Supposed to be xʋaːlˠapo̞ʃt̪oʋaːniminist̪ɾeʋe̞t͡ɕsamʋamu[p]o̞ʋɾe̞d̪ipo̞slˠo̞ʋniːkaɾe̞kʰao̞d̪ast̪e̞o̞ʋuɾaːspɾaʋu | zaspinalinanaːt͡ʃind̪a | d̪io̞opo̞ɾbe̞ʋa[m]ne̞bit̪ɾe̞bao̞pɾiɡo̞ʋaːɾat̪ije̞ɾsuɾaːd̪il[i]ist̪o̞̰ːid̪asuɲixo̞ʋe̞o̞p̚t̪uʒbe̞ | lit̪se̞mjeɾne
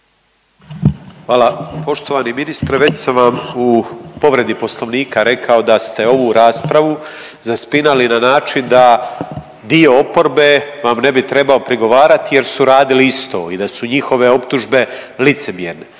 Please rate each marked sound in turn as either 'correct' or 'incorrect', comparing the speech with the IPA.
correct, correct, correct

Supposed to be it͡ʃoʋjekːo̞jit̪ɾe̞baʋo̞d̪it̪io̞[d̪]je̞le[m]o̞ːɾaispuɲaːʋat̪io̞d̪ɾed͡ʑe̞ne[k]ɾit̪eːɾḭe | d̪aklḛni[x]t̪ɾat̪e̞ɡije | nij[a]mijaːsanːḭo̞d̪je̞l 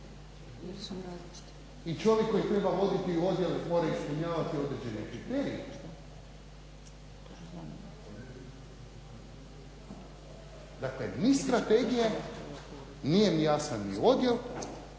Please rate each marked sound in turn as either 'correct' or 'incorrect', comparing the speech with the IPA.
correct, correct, correct, incorrect: s, incorrect: e

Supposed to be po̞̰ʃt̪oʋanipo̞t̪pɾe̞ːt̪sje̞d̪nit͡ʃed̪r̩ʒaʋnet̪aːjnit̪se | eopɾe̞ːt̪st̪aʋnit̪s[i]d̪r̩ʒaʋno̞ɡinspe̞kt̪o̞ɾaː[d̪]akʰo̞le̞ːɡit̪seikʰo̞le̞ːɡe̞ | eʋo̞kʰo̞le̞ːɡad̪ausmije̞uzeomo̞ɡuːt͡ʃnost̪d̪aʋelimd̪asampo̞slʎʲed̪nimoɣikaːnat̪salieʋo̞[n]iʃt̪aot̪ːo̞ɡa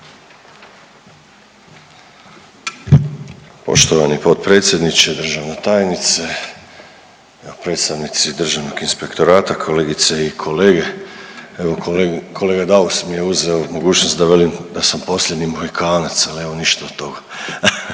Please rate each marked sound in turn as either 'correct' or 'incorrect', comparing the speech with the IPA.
correct, incorrect: t̪, correct

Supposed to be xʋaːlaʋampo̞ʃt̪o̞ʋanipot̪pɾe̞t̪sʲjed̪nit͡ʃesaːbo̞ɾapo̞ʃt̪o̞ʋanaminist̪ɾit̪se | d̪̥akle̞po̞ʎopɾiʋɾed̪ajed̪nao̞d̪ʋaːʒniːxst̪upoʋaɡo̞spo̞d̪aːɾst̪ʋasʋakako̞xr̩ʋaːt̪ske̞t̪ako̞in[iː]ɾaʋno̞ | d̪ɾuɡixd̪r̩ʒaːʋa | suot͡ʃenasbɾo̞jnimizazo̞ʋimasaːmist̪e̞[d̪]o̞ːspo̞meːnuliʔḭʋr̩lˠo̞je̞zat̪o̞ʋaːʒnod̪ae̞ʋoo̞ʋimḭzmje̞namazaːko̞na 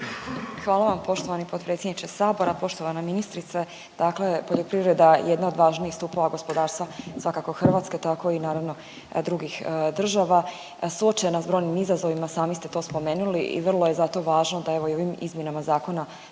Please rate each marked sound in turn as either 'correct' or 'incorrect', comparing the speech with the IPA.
incorrect: aː, incorrect: t̪

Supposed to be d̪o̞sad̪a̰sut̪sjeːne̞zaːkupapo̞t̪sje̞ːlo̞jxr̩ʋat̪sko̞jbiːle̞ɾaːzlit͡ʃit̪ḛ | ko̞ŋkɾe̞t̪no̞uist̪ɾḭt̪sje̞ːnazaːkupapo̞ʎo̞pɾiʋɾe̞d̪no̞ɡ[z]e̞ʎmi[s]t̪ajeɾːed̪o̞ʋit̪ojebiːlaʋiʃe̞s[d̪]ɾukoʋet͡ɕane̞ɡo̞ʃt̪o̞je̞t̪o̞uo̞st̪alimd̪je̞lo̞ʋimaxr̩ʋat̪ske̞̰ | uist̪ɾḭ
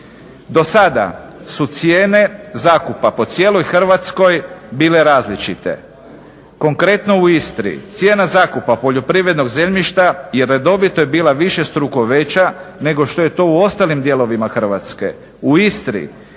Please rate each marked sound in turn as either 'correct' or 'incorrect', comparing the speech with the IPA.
correct, incorrect: ʃ, incorrect: t̪

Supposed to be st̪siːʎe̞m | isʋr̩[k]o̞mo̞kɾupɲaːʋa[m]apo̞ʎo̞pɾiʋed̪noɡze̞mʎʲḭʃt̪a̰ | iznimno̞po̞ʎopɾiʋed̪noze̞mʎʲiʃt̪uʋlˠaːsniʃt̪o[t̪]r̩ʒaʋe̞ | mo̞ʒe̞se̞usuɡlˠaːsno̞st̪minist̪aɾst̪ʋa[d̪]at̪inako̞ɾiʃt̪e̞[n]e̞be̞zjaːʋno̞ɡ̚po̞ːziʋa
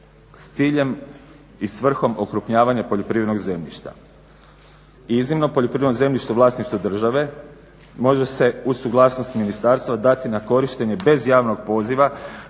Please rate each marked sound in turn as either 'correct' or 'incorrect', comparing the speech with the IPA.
incorrect: x, incorrect: ɲ, incorrect: d̪, correct, incorrect: ɲ

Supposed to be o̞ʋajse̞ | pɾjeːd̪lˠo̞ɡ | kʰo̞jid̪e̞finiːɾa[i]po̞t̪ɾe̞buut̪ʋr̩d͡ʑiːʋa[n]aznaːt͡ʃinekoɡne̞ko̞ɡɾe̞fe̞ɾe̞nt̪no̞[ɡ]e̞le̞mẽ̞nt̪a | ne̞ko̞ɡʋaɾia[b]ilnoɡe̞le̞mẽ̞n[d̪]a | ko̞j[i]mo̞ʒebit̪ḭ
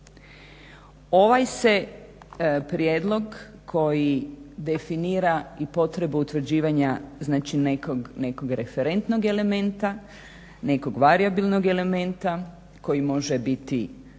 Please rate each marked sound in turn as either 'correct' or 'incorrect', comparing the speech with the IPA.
correct, incorrect: ɲ, correct, correct, incorrect: t̪, correct

